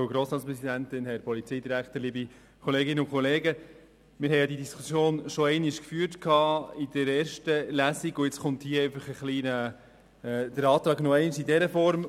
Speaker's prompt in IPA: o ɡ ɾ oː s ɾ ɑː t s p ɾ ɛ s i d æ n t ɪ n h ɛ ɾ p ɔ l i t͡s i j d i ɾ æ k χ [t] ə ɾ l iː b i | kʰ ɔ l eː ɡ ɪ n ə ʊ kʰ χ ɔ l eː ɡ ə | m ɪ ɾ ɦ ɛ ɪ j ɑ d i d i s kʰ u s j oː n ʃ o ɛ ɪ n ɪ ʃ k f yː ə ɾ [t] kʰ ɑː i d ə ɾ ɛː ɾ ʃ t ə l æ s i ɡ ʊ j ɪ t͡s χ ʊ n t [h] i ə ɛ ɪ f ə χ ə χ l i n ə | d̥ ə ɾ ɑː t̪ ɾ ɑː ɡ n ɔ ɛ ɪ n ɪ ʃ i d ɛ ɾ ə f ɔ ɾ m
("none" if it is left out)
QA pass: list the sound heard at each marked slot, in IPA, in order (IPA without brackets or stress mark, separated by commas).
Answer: t, t, h